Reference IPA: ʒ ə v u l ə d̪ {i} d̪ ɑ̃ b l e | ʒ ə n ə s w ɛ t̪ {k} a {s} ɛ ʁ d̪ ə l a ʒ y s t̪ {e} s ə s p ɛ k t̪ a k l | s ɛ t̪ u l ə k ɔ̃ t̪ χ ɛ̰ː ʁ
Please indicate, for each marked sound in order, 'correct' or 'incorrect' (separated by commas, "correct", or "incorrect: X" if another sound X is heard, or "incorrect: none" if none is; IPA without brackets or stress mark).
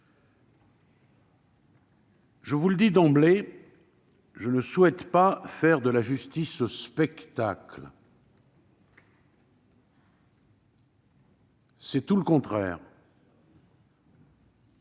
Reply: correct, incorrect: p, incorrect: f, incorrect: i